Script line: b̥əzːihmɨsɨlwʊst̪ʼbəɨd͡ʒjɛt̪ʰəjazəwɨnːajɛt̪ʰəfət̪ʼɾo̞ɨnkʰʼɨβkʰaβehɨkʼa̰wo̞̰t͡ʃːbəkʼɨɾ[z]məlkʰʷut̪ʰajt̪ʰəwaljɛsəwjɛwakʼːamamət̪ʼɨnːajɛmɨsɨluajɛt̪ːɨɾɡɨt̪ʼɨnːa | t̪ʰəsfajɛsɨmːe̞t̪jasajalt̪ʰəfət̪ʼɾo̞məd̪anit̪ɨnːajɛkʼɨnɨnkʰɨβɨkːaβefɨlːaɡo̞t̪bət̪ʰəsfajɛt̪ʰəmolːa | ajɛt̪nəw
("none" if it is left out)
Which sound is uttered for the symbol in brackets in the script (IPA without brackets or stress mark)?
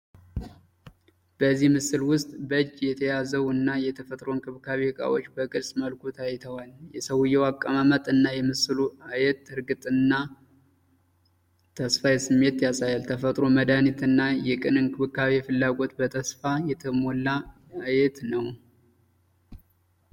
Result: s